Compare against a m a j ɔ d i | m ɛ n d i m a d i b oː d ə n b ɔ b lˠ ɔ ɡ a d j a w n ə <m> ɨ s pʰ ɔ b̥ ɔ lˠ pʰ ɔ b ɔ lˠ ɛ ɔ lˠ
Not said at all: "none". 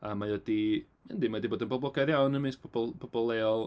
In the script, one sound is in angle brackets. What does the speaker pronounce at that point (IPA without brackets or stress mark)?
m